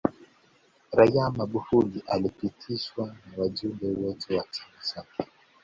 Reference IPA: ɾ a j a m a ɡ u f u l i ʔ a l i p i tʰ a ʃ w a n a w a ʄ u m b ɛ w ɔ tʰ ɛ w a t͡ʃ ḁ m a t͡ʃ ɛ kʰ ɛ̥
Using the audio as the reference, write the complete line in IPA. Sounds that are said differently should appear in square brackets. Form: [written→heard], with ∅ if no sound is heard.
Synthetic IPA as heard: ɾ a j a m a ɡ u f u l i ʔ a l i p i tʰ [a→i] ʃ w a n a w a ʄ u m b ɛ w ɔ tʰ ɛ w a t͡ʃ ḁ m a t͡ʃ [ɛ→a] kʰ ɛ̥